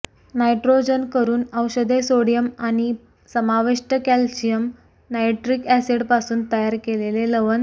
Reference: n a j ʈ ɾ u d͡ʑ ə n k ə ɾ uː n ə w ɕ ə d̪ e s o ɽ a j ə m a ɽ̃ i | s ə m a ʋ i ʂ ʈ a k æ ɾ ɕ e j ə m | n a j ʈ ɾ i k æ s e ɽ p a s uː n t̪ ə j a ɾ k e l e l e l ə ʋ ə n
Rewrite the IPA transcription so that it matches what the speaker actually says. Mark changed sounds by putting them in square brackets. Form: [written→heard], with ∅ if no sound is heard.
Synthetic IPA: n a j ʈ ɾ [u→o] d͡ʑ ə n k ə ɾ uː n ə w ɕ ə d̪ e s o ɽ [a→i] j ə m a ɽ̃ i | s ə m a ʋ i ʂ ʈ [a→ə] k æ [ɾ→l] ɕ [e→i] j ə m | n a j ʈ ɾ i k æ s e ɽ p a s uː n t̪ ə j a ɾ k e l e l e l ə ʋ ə n

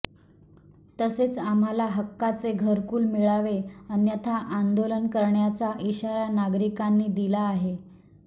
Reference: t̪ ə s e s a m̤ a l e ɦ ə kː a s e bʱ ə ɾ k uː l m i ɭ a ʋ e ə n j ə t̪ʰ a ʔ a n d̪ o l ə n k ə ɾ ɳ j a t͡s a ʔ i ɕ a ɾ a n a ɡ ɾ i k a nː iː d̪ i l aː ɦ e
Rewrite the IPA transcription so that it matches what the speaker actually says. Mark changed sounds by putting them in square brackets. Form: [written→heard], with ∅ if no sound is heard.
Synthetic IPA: t̪ ə s e [s→t͡s] a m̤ a l [e→a] ɦ ə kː a [s→t͡s] e [bʱ→ɡʱ] ə ɾ k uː l m i ɭ a ʋ e ə n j ə t̪ʰ a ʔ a n d̪ o l ə n k ə ɾ ɳ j a t͡s a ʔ i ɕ a ɾ a n a ɡ ɾ i k a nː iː d̪ i l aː ɦ e

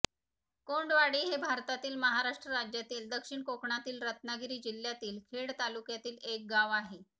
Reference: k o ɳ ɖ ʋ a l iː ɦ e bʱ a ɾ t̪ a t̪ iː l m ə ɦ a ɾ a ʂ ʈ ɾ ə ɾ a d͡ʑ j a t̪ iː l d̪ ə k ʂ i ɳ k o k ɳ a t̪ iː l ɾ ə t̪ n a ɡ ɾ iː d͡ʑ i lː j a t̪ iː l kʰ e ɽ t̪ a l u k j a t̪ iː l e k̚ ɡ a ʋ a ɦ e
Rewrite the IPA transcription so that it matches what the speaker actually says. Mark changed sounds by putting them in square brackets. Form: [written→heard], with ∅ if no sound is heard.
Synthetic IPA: k o ɳ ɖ ʋ a [l→ɽ] iː ɦ e bʱ a ɾ t̪ a t̪ iː l m ə ɦ a ɾ a ʂ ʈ ɾ ə ɾ a d͡ʑ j a t̪ iː l d̪ ə k ʂ i ɳ k o k ɳ a t̪ iː l ɾ ə t̪ n a ɡ ɾ iː d͡ʑ i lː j a t̪ iː l kʰ e ɽ t̪ a l u k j a t̪ iː l e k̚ ɡ a ʋ a ɦ e

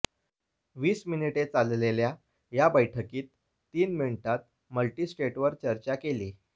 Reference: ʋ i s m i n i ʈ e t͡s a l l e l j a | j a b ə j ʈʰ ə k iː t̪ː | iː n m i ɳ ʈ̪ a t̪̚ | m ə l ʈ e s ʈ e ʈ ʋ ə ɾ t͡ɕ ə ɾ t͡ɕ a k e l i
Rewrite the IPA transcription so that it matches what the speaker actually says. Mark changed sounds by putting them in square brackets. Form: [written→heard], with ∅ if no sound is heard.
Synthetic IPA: ʋ [i→iː] s m i n i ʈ e t͡s a l l e l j a | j a b ə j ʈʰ ə k iː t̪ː | iː n m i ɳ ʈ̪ a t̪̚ | m ə l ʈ [e→i] s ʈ e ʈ ʋ ə ɾ t͡ɕ ə ɾ t͡ɕ a k e l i

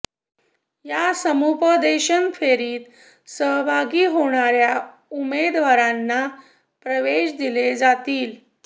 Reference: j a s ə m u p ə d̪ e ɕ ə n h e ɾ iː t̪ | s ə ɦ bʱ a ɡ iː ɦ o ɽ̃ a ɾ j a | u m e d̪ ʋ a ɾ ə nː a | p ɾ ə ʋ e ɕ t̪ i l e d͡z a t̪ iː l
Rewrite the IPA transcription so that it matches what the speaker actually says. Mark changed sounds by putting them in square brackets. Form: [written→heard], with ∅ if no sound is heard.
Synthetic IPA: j a s ə m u p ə d̪ e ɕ ə n [h→f] e ɾ iː t̪ | s ə ɦ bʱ a ɡ iː ɦ o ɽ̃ a ɾ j a | u m e d̪ ʋ a ɾ [ə→a] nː a | p ɾ ə ʋ e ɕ [t̪→d̪] i l e d͡z a t̪ iː l

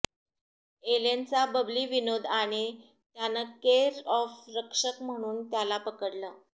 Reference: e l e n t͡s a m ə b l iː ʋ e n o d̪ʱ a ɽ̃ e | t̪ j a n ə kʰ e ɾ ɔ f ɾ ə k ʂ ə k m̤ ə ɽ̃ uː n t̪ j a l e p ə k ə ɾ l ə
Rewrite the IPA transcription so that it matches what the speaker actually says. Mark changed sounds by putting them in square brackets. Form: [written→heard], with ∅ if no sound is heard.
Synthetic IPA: e l e n t͡s a [m→b] ə b l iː ʋ [e→i] n o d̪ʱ a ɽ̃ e | t̪ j a n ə [kʰ→k] e ɾ ɔ f ɾ ə k ʂ ə k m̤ ə ɽ̃ uː n t̪ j a l [e→a] p ə k ə [ɾ→ɽ] l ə

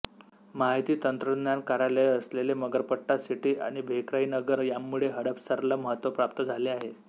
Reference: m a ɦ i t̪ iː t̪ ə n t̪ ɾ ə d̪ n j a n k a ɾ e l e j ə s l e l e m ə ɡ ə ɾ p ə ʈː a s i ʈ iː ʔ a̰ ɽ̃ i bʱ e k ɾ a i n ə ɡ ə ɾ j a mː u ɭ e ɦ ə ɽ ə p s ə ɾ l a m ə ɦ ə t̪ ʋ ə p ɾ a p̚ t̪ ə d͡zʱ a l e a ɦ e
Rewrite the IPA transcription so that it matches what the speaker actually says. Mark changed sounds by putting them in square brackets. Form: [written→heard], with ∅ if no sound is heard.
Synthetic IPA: m a ɦ i t̪ iː t̪ ə n t̪ ɾ ə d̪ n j a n k a ɾ [e→a] l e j ə s l e l e m ə ɡ ə ɾ p ə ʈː a s i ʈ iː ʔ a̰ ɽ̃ i bʱ e k ɾ a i n ə ɡ ə ɾ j a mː u ɭ e ɦ ə ɽ ə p s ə ɾ l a m ə ɦ ə t̪ ʋ ə p ɾ a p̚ t̪ ə d͡zʱ a l e a ɦ e

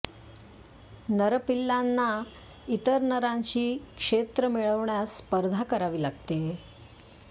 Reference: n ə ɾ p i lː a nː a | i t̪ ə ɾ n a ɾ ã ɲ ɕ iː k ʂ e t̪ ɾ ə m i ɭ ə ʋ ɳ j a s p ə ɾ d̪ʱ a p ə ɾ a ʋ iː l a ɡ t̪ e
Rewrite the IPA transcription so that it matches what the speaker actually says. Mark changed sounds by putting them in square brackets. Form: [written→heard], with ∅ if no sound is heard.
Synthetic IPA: n ə ɾ p i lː a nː a | i t̪ ə ɾ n [a→ə] ɾ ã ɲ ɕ iː k ʂ e t̪ ɾ ə m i ɭ ə ʋ ɳ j a s p ə ɾ d̪ʱ a [p→k] ə ɾ a ʋ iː l a ɡ t̪ e

